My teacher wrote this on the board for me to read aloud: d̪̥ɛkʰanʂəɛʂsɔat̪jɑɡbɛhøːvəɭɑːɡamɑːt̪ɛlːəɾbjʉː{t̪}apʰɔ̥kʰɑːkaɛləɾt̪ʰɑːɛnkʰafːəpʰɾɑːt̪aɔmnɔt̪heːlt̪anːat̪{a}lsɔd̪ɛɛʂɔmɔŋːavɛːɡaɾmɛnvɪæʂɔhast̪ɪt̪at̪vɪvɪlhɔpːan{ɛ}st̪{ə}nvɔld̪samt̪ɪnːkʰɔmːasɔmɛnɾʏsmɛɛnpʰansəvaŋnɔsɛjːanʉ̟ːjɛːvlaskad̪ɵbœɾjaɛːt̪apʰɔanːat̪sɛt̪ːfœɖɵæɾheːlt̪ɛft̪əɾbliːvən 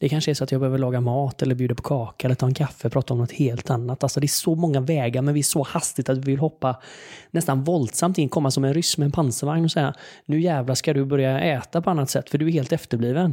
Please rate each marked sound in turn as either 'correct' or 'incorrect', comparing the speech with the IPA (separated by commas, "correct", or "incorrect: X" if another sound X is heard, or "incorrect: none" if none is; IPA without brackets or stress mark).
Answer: incorrect: d̪, correct, correct, incorrect: a